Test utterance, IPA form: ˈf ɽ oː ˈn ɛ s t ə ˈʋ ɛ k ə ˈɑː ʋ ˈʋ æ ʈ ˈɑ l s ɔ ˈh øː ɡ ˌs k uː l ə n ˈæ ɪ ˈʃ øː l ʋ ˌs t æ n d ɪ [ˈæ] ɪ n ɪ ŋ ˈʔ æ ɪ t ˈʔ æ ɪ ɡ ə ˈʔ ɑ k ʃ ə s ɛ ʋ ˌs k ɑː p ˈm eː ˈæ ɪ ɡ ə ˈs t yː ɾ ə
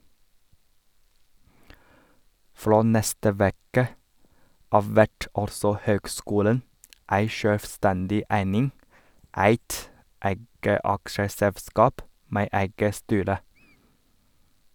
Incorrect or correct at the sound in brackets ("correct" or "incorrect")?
correct